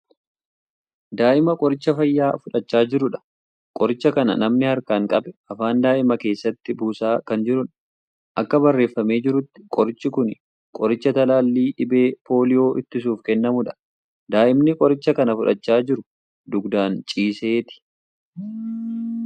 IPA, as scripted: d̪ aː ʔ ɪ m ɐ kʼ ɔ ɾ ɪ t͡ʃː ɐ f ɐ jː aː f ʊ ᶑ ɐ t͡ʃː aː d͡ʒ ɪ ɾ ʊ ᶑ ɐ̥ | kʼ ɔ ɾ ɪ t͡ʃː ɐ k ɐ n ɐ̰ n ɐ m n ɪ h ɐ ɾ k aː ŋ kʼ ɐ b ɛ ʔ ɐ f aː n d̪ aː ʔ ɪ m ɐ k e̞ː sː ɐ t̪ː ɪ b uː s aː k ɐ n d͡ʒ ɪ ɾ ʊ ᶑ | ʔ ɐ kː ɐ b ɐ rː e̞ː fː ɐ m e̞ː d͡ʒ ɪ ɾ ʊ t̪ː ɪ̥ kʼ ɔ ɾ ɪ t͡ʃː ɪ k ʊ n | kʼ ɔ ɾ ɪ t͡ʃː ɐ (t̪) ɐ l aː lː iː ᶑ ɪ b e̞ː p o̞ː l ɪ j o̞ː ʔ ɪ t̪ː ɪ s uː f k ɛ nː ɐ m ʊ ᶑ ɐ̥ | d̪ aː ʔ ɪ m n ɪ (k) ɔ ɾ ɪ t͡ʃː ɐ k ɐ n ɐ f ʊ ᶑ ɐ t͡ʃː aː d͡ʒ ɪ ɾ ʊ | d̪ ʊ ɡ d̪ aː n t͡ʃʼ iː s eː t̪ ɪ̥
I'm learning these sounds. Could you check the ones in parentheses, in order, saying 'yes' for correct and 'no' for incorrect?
yes, no

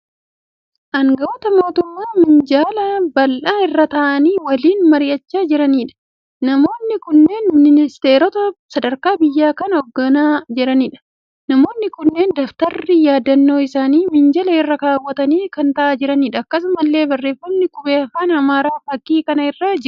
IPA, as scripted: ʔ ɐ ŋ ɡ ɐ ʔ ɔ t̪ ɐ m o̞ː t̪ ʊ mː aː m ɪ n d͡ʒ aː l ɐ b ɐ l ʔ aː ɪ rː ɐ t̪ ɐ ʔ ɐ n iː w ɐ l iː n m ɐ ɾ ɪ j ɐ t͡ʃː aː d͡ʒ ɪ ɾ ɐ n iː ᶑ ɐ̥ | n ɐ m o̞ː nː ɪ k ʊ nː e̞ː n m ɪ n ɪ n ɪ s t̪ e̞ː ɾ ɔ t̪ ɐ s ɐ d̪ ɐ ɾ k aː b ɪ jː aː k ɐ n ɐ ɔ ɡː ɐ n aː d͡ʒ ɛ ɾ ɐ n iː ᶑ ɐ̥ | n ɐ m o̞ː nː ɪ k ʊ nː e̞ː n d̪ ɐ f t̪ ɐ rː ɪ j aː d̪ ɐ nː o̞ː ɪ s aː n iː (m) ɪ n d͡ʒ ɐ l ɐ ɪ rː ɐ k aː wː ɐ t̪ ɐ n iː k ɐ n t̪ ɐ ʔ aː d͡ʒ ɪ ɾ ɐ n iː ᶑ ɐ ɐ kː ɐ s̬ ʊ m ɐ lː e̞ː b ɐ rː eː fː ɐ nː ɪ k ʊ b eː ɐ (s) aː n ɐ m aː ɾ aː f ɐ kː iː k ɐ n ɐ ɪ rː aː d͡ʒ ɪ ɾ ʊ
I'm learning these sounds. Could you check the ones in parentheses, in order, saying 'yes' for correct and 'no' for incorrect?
yes, no

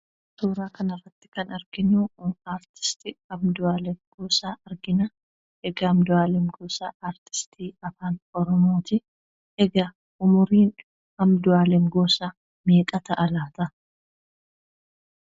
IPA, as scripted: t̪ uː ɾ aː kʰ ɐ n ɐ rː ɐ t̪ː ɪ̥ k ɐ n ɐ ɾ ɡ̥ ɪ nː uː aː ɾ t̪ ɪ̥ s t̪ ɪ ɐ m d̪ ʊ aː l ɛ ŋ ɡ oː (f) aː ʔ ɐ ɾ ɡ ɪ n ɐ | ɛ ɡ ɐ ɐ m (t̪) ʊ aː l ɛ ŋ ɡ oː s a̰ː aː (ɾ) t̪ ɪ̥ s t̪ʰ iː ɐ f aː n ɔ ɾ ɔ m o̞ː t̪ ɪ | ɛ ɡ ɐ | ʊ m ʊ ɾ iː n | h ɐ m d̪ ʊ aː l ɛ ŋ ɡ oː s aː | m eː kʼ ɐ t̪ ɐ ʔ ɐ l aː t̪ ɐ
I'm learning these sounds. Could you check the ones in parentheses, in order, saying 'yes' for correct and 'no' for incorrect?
no, no, yes

